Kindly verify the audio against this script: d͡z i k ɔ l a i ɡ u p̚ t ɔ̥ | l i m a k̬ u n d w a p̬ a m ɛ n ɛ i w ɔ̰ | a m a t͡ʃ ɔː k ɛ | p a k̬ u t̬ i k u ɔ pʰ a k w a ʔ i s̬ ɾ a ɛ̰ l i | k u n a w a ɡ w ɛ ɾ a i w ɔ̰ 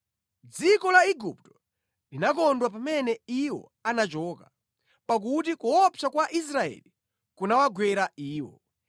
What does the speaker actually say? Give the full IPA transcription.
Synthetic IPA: d͡z i k ɔ l a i ɡ u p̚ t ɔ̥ | l i n a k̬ ɔ n d w a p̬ a m ɛ n ɛ i w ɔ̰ | a n a t͡ʃ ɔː k a | p a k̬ u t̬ i k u ɔ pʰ a k w a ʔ i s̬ ɾ a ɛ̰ l i | k u n a w a ɡ w ɛ ɾ a iː w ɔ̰